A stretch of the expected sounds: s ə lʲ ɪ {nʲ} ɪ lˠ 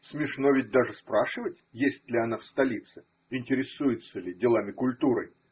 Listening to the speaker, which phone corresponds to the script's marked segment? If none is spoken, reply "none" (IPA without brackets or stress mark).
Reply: dʲ